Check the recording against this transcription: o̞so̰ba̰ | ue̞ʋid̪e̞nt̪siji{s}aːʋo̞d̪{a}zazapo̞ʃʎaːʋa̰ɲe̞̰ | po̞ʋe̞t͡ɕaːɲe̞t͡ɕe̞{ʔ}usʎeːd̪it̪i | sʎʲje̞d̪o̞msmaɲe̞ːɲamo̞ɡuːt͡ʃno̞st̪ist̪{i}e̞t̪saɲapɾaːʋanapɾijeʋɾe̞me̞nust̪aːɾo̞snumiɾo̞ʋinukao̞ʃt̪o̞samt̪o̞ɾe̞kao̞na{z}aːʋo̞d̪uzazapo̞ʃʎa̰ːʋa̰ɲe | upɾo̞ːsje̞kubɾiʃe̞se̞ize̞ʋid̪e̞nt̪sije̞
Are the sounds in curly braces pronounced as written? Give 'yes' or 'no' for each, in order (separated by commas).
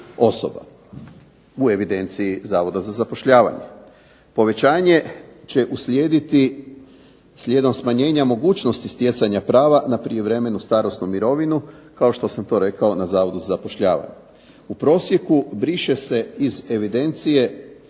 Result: no, yes, yes, no, yes